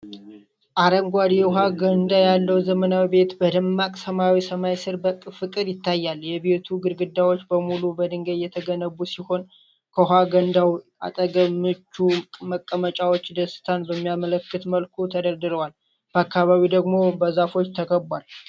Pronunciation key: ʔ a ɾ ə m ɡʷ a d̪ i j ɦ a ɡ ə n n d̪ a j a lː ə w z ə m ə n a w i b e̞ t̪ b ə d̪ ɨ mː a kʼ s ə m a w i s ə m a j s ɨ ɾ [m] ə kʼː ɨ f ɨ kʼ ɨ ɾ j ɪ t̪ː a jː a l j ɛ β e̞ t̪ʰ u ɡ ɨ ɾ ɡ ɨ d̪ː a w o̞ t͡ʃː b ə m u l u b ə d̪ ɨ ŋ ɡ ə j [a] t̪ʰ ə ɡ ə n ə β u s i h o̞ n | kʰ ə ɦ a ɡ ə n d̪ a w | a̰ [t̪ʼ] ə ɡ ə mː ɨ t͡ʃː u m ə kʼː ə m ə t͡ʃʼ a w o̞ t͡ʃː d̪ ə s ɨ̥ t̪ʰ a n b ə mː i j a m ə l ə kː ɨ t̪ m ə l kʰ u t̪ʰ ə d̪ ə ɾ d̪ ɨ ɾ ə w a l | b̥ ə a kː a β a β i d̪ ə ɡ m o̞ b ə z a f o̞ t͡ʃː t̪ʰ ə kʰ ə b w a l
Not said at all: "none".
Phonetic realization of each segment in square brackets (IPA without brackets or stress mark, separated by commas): b, ɛ, t̪ʼ